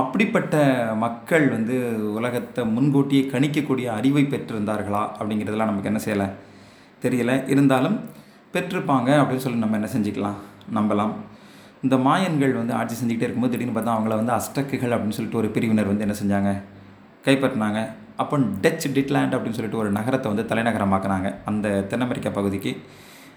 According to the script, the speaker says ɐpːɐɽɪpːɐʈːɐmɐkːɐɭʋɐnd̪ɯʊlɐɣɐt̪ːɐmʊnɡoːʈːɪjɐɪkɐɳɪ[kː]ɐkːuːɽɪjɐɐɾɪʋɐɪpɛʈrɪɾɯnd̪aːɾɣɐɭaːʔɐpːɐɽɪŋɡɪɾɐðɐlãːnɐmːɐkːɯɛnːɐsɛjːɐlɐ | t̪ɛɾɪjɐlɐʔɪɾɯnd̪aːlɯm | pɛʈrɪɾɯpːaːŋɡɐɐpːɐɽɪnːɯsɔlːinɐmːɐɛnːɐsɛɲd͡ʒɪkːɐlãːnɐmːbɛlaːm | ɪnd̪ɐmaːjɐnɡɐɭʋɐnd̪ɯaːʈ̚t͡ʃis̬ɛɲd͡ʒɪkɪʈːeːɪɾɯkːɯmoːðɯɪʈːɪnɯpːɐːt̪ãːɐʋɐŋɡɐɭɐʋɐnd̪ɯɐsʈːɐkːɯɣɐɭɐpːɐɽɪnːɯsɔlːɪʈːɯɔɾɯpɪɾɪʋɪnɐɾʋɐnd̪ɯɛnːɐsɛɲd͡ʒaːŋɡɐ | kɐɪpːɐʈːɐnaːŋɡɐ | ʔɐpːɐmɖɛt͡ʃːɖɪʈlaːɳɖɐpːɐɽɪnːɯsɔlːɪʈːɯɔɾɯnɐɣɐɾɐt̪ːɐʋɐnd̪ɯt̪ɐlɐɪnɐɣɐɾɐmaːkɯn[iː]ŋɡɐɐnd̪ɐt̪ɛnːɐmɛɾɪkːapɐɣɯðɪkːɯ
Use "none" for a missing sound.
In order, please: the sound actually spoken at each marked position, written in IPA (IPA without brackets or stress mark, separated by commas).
kː, aː